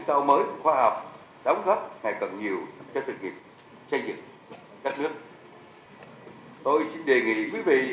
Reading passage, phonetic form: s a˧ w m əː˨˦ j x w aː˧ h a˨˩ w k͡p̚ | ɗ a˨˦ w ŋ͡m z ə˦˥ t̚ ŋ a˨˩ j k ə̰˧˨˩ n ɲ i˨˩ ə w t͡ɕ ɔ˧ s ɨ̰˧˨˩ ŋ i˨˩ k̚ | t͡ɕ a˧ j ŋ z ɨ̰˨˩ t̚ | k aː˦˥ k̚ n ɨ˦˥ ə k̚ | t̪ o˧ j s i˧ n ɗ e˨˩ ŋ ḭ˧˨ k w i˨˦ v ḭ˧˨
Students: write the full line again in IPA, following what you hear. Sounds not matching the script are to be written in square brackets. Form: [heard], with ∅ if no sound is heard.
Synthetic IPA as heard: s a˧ w m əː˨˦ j x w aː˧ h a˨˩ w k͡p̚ | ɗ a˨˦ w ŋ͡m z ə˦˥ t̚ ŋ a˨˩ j k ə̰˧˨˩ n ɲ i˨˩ ə w t͡ɕ ɔ˧ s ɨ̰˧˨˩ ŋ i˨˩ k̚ | t͡ɕ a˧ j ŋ z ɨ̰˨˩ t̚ | k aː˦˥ k̚ n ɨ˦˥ ə k̚ | t̪ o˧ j s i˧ n ɗ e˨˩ ŋ ḭ˧˨ k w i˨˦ v ḭ˧˨